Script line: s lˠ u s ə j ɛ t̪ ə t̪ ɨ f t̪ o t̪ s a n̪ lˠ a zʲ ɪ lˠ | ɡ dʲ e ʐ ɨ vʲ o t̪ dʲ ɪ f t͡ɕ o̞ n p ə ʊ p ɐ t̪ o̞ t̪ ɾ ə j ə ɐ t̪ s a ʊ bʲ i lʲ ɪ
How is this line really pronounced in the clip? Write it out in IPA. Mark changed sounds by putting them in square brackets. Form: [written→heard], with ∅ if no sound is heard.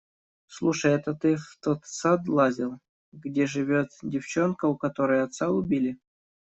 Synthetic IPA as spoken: s lˠ u [s→ʂ] ə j ɛ t̪ ə t̪ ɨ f t̪ o t̪ s a [n̪→d̪] lˠ a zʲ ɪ lˠ | ɡ dʲ e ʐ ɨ vʲ o t̪ dʲ ɪ f t͡ɕ o̞ n [p→k] ə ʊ [p→k] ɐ t̪ o̞ [t̪→∅] ɾ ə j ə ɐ t̪ s a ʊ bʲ i lʲ ɪ